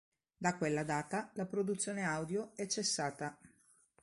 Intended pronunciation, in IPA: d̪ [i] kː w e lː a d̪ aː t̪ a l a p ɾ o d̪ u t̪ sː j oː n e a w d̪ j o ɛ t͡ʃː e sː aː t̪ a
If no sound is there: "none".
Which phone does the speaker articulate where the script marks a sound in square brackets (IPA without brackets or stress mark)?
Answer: a